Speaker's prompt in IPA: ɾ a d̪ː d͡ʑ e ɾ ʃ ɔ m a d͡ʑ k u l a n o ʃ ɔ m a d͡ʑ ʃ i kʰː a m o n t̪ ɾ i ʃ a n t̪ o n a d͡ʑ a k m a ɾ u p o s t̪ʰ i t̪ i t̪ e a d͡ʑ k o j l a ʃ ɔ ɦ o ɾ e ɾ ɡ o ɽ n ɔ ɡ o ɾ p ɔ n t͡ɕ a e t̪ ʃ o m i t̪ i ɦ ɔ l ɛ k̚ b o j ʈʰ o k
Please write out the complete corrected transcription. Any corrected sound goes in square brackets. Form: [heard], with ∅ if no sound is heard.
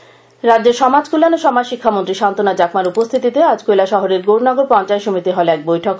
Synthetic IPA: ɾ a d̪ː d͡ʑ e ɾ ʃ ɔ m a d͡ʑ k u l a n o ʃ ɔ m a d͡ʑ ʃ i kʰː a m o n t̪ ɾ i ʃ a n t̪ o n a d͡ʑ a k m a ɾ u p o s t̪ʰ i t̪ i t̪ e a d͡ʑ k o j l a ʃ ɔ ɦ o ɾ e ɾ ɡ o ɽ n ɔ ɡ o ɾ p ɔ n t͡ɕ a e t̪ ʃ o m i t̪ i ɦ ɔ l ɛ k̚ b o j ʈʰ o k

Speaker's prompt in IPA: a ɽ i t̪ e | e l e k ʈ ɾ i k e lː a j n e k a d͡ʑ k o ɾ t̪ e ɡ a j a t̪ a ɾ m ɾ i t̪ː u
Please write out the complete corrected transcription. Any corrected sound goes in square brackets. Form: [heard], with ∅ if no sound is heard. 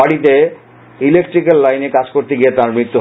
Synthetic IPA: a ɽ i t̪ e | [i] l e k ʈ ɾ i k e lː a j n e k a d͡ʑ k o ɾ t̪ e ɡ [i] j [e] t̪ a ɾ m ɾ i t̪ː u

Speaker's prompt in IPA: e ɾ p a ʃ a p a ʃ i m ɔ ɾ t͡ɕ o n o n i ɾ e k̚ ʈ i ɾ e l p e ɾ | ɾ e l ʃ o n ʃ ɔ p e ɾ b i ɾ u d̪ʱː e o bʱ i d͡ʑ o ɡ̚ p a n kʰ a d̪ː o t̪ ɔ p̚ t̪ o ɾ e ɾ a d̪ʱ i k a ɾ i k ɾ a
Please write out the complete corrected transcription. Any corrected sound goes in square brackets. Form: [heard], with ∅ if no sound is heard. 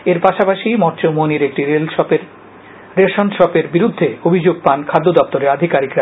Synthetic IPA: e ɾ p a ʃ a p a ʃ i m ɔ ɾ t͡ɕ o [m] o n i ɾ e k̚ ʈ i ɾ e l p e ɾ | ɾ e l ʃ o n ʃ ɔ p e ɾ b i ɾ u d̪ʱː e o bʱ i d͡ʑ o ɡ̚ p a n kʰ a d̪ː o [d̪] ɔ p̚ t̪ o ɾ e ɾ a d̪ʱ i k a ɾ i k ɾ a

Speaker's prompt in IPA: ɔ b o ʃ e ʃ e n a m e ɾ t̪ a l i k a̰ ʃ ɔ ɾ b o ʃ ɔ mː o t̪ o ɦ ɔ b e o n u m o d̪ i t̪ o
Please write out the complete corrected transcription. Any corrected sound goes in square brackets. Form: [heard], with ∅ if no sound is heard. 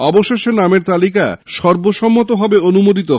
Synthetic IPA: ɔ b o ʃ e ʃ e n a m e ɾ t̪ a l i k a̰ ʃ ɔ ɾ b o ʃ ɔ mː o t̪ o ɦ ɔ b e o n u m o d̪ i t̪ o

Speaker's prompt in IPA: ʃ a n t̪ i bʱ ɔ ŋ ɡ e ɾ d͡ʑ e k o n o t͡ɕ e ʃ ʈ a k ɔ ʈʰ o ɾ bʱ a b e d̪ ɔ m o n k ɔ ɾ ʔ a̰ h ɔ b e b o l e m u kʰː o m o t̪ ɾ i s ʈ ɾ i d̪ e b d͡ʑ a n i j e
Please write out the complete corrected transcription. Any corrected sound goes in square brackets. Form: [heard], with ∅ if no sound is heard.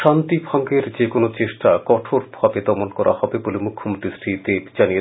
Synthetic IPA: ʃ a n t̪ i bʱ ɔ ŋ ɡ e ɾ d͡ʑ e k o n o t͡ɕ e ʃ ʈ a k ɔ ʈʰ o ɾ bʱ a b e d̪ ɔ m o n k ɔ ɾ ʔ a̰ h ɔ b e b o l e m u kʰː o m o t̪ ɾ i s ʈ ɾ i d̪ e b d͡ʑ a n i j e

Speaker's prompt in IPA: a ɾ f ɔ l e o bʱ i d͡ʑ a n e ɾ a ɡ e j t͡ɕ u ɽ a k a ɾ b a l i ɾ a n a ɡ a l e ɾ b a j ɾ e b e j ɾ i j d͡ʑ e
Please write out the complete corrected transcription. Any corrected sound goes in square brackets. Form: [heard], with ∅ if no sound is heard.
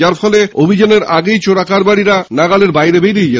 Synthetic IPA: a ɾ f ɔ l e o bʱ i d͡ʑ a n e ɾ a ɡ e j t͡ɕ [o] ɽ a k a ɾ b a [ɽ] i ɾ a n a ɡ a l e ɾ b a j ɾ e b e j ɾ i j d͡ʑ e

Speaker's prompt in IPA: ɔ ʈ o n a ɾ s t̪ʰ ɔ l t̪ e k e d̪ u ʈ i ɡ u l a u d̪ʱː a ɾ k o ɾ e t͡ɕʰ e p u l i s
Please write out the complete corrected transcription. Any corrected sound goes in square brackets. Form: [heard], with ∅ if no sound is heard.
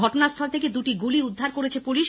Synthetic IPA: ɔ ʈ o n a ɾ s t̪ʰ ɔ l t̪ e k e d̪ u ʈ i ɡ u l [i] u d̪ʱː a ɾ k o ɾ e t͡ɕʰ e p u l i [ʃ]

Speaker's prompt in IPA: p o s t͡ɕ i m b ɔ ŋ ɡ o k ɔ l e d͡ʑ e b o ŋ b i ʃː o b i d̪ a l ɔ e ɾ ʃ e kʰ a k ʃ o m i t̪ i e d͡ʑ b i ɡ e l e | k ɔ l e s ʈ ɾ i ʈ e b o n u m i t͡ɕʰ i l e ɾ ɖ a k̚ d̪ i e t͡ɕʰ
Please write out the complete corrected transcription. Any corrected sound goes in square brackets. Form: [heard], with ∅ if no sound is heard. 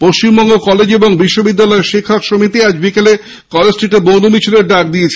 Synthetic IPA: p o [ʃ] t͡ɕ i m b ɔ ŋ ɡ o k ɔ l e d͡ʑ e b o ŋ b i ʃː o b i [d̪ː] a l ɔ e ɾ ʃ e kʰ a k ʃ o m i t̪ i [a] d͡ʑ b i [k] e l e | k ɔ l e s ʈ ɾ i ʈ e b o n u m i t͡ɕʰ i l e ɾ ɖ a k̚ d̪ i e t͡ɕʰ

